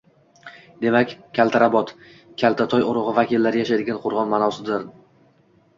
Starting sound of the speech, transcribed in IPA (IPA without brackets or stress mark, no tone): d̪